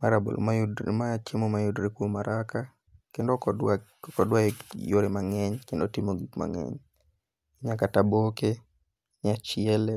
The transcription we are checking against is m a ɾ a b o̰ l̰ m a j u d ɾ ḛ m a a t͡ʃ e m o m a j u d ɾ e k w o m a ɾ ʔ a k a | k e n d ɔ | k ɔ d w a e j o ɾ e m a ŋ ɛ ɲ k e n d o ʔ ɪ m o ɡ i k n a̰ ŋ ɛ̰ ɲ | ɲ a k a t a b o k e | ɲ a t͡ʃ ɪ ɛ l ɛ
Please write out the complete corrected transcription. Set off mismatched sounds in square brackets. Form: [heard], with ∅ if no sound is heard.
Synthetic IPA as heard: m a ɾ a b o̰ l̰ m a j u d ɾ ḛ m a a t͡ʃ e m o m a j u d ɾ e k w o m a ɾ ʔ a k a | k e n d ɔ | k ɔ d w a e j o ɾ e m a ŋ ɛ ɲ k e n d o [t] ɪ m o ɡ i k [m] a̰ ŋ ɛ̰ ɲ | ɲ a k a t a b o k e | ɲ a t͡ʃ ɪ ɛ l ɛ

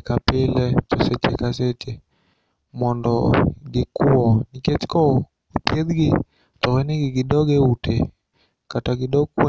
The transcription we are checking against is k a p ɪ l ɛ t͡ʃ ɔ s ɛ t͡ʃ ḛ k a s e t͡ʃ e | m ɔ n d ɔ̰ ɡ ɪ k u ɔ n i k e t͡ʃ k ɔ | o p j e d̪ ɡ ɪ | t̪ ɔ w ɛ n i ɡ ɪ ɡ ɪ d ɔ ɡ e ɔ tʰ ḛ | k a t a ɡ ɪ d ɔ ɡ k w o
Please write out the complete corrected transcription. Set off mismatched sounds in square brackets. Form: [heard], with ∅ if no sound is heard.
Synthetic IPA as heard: k a p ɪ l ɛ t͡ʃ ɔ s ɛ t͡ʃ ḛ k a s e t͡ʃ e | m ɔ n d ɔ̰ ɡ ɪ k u ɔ n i k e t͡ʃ k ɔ | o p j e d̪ ɡ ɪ | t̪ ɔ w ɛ n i ɡ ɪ ɡ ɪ d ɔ ɡ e [u] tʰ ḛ | k a t a ɡ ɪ d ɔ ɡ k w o

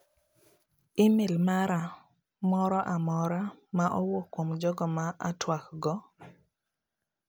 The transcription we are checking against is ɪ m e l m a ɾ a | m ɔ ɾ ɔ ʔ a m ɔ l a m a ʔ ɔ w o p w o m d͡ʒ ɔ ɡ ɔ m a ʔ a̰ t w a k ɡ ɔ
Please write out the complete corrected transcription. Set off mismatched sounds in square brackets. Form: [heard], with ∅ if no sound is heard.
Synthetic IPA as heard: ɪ m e l m a ɾ a | m ɔ ɾ ɔ ʔ a m ɔ [ɾ] a m a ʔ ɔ w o [k] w o m d͡ʒ ɔ ɡ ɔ m a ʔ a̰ t w a k ɡ ɔ

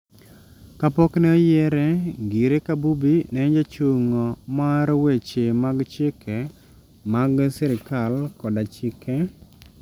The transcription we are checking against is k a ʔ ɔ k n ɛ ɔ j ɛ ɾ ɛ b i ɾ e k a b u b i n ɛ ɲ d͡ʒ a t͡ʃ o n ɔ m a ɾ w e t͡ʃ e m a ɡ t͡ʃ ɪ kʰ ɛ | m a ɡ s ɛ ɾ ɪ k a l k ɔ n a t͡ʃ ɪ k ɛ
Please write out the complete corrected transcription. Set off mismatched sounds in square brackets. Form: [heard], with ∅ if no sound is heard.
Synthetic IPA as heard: k a [p] ɔ k n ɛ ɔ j ɛ ɾ ɛ [ɡ] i ɾ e k a b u b i n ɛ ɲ d͡ʒ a t͡ʃ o [ŋ] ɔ m a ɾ w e t͡ʃ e m a ɡ t͡ʃ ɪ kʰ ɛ | m a ɡ s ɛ ɾ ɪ k a l k ɔ [d] a t͡ʃ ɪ k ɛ

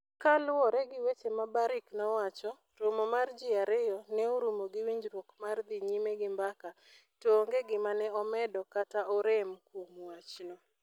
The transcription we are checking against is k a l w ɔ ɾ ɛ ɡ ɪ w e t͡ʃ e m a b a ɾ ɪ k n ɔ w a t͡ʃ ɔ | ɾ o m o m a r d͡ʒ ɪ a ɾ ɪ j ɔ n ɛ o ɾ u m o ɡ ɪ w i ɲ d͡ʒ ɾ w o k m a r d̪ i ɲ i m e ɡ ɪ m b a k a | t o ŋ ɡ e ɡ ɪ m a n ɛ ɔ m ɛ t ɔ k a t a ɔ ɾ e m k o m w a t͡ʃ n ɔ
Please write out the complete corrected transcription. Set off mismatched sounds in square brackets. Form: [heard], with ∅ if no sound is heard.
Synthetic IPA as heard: k a l w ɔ ɾ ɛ ɡ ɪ w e t͡ʃ e m a b a ɾ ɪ k n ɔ w a t͡ʃ ɔ | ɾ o m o m a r d͡ʒ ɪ a ɾ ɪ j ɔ n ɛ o ɾ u m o ɡ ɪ w i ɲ d͡ʒ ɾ w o k m a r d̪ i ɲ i m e ɡ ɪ m b a k a | t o ŋ ɡ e ɡ ɪ m a n ɛ ɔ m ɛ [d] ɔ k a t a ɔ ɾ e m k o m w a t͡ʃ n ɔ

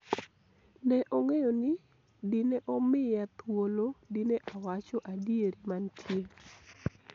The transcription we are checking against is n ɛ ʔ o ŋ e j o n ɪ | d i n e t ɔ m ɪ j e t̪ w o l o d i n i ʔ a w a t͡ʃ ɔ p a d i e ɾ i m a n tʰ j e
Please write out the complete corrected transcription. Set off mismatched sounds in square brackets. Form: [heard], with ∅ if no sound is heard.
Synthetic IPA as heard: n ɛ ʔ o ŋ e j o n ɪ | d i n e [ʔ] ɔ m ɪ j [a] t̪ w o l o d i n [e] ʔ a w a t͡ʃ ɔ [ʔ] a d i e ɾ i m a n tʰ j e

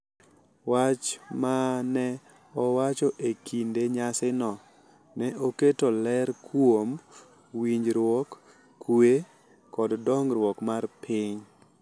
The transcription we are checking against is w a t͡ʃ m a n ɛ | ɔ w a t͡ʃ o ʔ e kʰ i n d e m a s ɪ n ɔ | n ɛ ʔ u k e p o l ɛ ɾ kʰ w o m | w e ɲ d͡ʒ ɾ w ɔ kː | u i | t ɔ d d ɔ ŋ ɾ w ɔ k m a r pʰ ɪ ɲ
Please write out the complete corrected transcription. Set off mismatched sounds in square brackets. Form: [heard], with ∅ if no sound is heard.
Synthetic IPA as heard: w a t͡ʃ m a n ɛ | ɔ w a t͡ʃ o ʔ e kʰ i n d e [ɲ] a s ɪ n ɔ | n ɛ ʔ [o] k e [t] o l ɛ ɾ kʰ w o m | w [i] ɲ d͡ʒ ɾ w ɔ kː | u [e] | [k] ɔ d d ɔ ŋ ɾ w ɔ k m a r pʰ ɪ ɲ

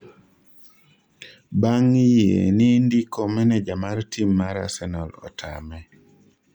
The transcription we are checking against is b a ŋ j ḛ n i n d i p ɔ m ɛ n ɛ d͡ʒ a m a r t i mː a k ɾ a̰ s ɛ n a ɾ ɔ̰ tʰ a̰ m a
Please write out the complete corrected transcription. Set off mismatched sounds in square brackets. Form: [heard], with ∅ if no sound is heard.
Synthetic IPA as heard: b a ŋ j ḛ n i n d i [k] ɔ m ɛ n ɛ d͡ʒ a m a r t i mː a [∅] ɾ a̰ s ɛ n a [l] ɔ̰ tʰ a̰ m [ɛ]

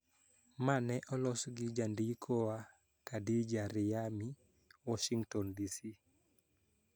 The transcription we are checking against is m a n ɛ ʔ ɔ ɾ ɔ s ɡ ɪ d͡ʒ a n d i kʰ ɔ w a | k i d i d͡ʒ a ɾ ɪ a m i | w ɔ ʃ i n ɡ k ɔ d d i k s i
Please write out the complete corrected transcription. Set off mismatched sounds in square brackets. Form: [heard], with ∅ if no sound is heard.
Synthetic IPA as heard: m a n ɛ ʔ ɔ [l] ɔ s ɡ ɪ d͡ʒ a n d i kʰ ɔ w a | k [a] d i d͡ʒ a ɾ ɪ a m i | w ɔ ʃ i [ŋ] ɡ [t] ɔ [n] d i [∅] s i

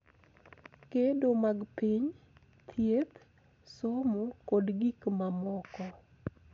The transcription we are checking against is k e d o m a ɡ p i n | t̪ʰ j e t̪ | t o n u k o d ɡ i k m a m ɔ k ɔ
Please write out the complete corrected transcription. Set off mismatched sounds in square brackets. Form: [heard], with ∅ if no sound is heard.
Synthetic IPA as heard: k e d o m a ɡ p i [ɲ] | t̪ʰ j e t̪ | [s] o [m] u k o d ɡ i k m a m ɔ k ɔ

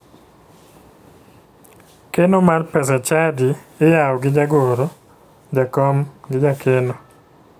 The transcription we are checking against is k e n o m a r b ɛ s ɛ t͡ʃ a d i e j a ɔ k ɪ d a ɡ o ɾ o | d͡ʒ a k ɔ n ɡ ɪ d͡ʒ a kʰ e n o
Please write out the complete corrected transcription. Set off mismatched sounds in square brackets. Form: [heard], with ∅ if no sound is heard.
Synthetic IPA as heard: k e n o m a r [p] ɛ s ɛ t͡ʃ a d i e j a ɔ [ɡ] ɪ [d͡ʒ] a ɡ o ɾ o | d͡ʒ a k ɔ [m] ɡ ɪ d͡ʒ a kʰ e n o

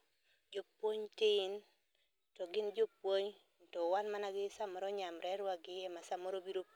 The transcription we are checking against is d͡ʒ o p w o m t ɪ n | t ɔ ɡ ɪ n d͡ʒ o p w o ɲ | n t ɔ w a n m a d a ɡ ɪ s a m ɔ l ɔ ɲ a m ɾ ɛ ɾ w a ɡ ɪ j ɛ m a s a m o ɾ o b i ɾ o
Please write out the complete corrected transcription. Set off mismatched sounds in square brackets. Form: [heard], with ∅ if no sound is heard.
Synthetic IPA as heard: d͡ʒ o p w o [ɲ] t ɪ n | t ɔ ɡ ɪ n d͡ʒ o p w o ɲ | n t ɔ w a n m a [n] a ɡ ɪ s a m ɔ [ɾ] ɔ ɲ a m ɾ ɛ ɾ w a ɡ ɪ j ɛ m a s a m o ɾ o b i ɾ o

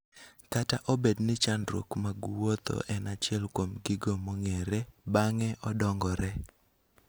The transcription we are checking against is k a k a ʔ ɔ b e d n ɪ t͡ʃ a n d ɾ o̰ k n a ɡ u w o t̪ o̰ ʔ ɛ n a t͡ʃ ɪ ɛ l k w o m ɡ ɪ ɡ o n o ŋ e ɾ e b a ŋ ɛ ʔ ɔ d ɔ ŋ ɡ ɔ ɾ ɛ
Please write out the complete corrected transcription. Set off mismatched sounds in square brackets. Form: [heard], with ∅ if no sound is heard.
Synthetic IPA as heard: k a [t] a ʔ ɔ b e d n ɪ t͡ʃ a n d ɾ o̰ k [m] a ɡ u w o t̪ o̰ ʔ ɛ n a t͡ʃ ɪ ɛ l k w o m ɡ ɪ ɡ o [m] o ŋ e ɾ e b a ŋ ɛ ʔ ɔ d ɔ ŋ ɡ ɔ ɾ ɛ

